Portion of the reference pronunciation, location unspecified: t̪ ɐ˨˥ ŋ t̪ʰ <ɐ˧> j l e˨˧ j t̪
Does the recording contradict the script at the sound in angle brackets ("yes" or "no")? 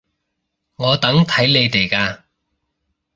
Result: yes